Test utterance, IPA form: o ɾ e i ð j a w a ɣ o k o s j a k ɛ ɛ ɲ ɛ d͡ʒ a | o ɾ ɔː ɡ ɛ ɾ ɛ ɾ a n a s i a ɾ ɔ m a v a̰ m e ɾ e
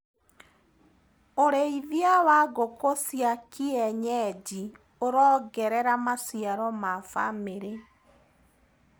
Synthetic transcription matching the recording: o ɾ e i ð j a w a ɣ o k o s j a k i ɛ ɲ ɛ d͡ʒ i | o ɾ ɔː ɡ ɛ ɾ ɛ ɾ a m a s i a ɾ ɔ m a f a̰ m e ɾ e